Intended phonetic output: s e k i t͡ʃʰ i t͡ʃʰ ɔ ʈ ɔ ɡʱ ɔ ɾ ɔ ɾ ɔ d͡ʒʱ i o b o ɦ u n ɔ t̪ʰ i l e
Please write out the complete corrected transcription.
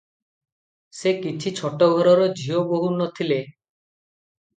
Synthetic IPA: s e k i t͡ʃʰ i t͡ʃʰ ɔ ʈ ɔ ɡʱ ɔ ɾ ɔ ɾ ɔ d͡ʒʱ i o b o ɦ u n ɔ t̪ʰ i l e